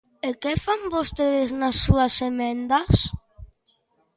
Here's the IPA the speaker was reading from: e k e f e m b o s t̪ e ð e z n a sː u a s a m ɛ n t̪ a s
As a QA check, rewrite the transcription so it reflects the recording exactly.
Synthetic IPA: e k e f a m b o s t̪ e ð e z n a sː u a s e m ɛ n d̪ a s